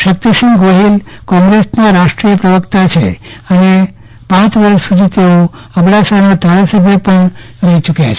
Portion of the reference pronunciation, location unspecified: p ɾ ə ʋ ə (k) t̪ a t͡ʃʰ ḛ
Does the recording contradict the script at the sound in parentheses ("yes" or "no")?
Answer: no